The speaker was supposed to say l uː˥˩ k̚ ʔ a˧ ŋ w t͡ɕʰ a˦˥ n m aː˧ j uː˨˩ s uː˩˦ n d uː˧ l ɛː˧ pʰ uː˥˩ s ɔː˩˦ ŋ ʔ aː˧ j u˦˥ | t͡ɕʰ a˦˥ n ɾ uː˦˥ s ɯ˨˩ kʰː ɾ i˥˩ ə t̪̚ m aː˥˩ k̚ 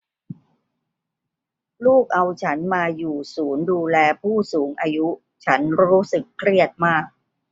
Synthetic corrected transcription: l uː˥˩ k̚ ʔ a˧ w t͡ɕʰ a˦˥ n m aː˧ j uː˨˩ s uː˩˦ n d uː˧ l ɛː˧ pʰ uː˥˩ s uː˩˦ ŋ ʔ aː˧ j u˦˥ | t͡ɕʰ a˦˥ n ɾ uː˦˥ s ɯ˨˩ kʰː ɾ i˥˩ ə t̪̚ m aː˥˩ k̚